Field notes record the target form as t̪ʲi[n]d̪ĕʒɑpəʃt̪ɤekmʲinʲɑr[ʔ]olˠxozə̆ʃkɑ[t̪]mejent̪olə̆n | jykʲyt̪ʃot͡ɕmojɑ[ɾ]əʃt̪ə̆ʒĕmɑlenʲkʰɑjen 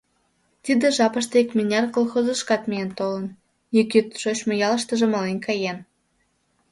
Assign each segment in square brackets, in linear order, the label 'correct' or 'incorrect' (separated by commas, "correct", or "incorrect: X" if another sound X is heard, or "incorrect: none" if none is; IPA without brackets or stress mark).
incorrect: none, incorrect: k, correct, incorrect: l